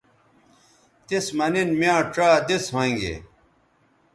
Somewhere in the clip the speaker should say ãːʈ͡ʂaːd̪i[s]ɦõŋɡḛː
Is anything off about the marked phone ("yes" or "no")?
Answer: no